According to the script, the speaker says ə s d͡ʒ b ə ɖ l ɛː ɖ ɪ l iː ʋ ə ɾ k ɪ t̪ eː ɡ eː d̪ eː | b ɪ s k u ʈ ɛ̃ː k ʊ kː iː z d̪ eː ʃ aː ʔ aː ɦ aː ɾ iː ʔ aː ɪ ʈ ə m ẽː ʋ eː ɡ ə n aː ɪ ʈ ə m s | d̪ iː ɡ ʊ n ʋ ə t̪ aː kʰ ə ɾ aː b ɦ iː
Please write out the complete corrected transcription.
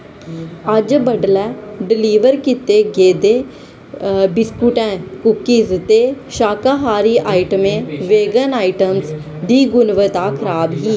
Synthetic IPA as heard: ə d͡ʒ b ə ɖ l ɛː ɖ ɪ l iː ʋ ə ɾ k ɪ t̪ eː ɡ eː d̪ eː | b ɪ s k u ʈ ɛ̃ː k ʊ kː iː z t̪ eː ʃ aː k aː ɦ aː ɾ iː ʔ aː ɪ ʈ ə m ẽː ʋ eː ɡ ə n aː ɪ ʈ ə m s | d̪ iː ɡ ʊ n ʋ ə t̪ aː kʰ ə ɾ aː b ɦ iː

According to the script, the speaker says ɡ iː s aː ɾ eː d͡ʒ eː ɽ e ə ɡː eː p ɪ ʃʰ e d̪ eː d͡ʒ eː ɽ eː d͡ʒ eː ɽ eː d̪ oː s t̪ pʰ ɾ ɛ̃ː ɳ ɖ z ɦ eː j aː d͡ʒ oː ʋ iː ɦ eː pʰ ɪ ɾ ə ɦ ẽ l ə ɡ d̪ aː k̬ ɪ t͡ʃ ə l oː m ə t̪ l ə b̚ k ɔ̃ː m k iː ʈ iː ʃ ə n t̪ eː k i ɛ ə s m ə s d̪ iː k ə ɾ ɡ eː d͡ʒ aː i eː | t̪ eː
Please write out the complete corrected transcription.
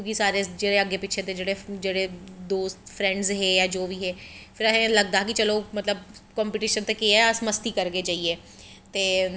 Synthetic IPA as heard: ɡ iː s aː ɾ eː d͡ʒ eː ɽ e ə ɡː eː p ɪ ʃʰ e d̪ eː d͡ʒ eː ɽ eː d͡ʒ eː ɽ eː d̪ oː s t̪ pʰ ɾ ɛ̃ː ɳ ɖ z ɦ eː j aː d͡ʒ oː ʋ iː ɦ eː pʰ ɪ ɾ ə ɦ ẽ l ə ɡ d̪ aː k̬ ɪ t͡ʃ ə l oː m ə t̪ l ə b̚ k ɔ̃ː m p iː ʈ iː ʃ ə n t̪ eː k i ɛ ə s m ə s t̪ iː k ə ɾ ɡ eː d͡ʒ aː i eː | t̪ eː

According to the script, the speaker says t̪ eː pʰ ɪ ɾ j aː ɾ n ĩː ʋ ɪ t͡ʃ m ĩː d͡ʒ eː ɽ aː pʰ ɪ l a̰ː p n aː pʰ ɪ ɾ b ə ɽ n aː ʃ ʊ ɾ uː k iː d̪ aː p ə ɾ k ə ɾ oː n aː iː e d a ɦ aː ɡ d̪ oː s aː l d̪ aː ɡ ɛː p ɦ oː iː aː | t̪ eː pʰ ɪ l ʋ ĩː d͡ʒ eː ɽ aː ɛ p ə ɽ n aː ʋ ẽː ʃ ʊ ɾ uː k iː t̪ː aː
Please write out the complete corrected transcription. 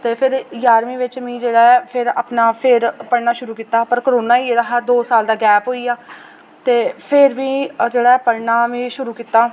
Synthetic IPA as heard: t̪ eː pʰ ɪ ɾ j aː ɾ m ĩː ʋ ɪ t͡ʃ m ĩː d͡ʒ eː ɽ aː pʰ ɪ ɾ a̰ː p n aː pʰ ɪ ɾ p ə ɽ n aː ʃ ʊ ɾ uː k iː t̪ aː p ə ɾ k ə ɾ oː n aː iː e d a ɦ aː d̪ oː s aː l d̪ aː ɡ ɛː p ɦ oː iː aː | t̪ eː pʰ ɪ ɾ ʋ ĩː d͡ʒ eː ɽ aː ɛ p ə ɽ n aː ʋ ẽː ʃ ʊ ɾ uː k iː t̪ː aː

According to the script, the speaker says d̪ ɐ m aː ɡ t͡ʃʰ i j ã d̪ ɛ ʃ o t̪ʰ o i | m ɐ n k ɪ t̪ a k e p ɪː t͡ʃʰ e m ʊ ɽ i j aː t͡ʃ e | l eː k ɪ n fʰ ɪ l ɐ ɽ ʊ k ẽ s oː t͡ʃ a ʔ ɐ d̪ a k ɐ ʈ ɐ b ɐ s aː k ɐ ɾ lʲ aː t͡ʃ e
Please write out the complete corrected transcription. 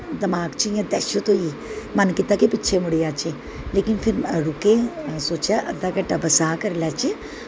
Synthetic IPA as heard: d̪ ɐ m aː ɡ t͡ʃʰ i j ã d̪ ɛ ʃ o t̪ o i | m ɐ n k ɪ t̪ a k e p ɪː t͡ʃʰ e m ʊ ɽ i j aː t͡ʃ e | l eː k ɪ n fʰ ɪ ɾ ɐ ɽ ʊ k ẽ s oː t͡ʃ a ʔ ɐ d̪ a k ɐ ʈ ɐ b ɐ s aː k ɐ ɾ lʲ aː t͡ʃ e

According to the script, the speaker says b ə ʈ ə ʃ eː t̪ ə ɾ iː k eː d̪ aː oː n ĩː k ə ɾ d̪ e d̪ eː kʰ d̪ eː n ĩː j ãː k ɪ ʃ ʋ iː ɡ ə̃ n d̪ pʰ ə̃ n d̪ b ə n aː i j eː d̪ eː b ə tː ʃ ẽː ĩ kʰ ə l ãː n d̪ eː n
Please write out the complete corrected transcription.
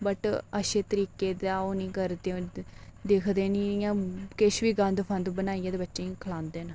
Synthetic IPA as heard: b ə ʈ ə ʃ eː t̪ ə ɾ iː k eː d̪ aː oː n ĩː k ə ɾ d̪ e d̪ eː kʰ d̪ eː n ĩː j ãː k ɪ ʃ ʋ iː ɡ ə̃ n d̪ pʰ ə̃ n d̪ b ə n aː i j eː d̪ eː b ə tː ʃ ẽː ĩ kʰ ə l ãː n d̪ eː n

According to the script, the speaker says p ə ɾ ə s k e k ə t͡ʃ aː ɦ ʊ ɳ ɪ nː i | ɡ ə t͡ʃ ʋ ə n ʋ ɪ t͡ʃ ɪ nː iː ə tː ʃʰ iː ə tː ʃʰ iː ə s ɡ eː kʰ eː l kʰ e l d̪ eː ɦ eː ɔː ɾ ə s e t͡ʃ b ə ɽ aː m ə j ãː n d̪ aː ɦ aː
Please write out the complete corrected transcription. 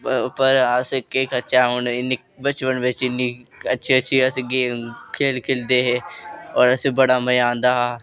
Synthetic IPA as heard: p ə ɾ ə s k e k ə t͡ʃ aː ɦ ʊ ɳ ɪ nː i | b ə t͡ʃ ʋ ə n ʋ ɪ t͡ʃ ɪ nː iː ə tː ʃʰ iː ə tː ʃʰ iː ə s ɡ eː kʰ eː l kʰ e l d̪ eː ɦ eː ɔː ɾ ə s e b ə ɽ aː m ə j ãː n d̪ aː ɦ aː

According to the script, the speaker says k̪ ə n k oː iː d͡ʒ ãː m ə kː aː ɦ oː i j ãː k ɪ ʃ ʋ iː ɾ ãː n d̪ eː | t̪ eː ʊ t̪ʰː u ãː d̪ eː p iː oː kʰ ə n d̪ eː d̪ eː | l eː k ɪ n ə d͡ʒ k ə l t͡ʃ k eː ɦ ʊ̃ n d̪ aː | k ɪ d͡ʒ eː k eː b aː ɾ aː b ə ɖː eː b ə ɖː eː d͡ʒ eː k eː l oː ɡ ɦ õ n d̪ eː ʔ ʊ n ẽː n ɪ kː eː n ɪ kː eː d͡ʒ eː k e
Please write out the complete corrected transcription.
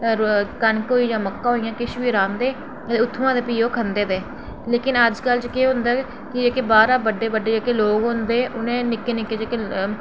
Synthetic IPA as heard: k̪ ə n k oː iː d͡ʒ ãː m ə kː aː ɦ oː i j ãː k ɪ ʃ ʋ iː ɾ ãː n d̪ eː | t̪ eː ʊ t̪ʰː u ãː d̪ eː p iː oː kʰ ə n d̪ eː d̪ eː | l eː k ɪ n ə d͡ʒ k ə l t͡ʃ k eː ɦ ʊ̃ n d̪ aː | k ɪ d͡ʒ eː k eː b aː ɾ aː b ə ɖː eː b ə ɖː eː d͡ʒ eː k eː l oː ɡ ɦ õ n d̪ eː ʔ ʊ n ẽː n ɪ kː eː n ɪ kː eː d͡ʒ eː k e

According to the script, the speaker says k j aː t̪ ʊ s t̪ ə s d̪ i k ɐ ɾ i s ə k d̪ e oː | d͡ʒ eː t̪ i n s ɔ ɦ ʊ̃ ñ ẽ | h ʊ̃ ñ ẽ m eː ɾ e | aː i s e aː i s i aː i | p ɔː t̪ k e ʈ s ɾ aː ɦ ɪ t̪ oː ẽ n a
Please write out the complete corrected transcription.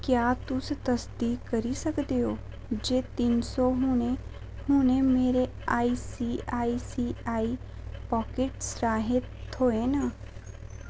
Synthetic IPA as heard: k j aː t̪ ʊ s t̪ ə s d̪ i k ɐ ɾ i s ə k d̪ e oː | d͡ʒ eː t̪ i n s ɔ ɦ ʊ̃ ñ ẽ | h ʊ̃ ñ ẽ m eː ɾ e | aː i s i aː i s i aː i | p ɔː k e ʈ s ɾ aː ɦ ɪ t̪ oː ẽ n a

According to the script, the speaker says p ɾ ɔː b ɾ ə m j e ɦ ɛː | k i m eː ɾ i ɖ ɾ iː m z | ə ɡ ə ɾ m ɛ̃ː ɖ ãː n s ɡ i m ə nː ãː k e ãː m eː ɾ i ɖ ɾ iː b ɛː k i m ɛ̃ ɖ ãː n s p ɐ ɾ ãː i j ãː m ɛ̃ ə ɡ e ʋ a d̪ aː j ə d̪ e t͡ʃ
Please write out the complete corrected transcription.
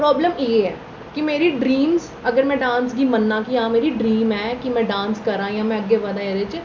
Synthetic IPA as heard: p ɾ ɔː b l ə m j e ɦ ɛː | k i m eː ɾ i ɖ ɾ iː m z | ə ɡ ə ɾ m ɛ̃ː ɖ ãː n s ɡ i m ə nː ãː k i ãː m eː ɾ i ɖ ɾ iː m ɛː k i m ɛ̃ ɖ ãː n s k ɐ ɾ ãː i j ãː m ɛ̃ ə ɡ e ʋ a d̪ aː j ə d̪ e t͡ʃ

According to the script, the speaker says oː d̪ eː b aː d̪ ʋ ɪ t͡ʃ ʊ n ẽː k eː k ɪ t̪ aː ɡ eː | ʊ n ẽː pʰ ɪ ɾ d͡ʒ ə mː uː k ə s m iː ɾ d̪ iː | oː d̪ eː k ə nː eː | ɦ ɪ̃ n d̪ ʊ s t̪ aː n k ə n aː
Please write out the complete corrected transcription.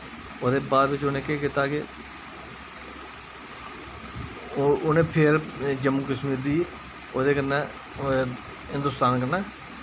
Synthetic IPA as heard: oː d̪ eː b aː d̪ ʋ ɪ t͡ʃ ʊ n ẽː k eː k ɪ t̪ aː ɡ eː | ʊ n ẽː pʰ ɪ ɾ d͡ʒ ə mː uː k ə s m iː ɾ d̪ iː | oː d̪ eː k ə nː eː | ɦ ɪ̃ n d̪ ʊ s t̪ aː n k ə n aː

